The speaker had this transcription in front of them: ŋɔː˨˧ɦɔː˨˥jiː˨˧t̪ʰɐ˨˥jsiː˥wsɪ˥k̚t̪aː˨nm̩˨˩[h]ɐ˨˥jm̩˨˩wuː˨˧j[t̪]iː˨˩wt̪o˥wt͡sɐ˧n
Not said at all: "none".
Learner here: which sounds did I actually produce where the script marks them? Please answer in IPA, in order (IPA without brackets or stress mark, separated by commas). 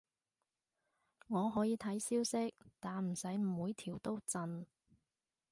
s, t̪ʰ